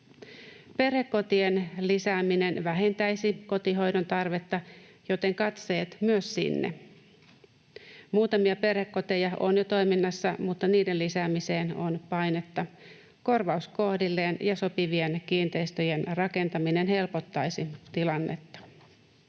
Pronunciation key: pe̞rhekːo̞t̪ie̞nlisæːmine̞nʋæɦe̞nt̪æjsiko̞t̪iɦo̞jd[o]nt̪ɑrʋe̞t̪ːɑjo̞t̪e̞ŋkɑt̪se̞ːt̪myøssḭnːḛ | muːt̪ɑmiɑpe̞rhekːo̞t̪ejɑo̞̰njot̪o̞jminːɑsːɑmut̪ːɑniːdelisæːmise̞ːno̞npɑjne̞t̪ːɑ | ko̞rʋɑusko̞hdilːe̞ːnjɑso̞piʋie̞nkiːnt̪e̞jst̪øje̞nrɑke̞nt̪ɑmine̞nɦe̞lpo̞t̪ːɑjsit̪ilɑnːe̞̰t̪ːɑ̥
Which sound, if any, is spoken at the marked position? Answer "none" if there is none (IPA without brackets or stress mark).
o